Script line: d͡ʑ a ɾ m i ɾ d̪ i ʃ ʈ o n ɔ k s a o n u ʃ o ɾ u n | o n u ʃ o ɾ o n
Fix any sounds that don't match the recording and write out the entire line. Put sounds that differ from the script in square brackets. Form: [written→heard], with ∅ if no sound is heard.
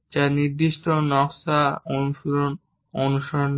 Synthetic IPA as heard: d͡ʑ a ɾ [m→n] i ɾ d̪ i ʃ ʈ o n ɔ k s a o n u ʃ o ɾ [u→o] n | o n u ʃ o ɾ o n